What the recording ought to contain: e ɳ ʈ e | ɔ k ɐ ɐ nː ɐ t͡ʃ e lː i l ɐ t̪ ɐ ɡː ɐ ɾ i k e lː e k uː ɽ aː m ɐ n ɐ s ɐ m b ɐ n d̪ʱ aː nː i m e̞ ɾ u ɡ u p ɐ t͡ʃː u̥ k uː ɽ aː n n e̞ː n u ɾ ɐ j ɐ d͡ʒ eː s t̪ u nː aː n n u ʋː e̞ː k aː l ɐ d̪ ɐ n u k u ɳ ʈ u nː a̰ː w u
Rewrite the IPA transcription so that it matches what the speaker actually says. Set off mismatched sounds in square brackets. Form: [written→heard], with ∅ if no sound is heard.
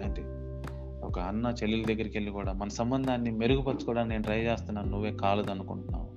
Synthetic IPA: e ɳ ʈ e | ɔ k ɐ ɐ nː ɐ t͡ʃ e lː i l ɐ [t̪→d̪] ɐ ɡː ɐ ɾ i k e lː [e→i] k uː ɽ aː m ɐ n ɐ s ɐ m b ɐ n d̪ʱ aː nː i m e̞ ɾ u ɡ u p ɐ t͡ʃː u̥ k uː ɽ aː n n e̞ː n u ɾ ɐ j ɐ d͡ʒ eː s t̪ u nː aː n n u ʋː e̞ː k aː l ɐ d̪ ɐ n u k u ɳ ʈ u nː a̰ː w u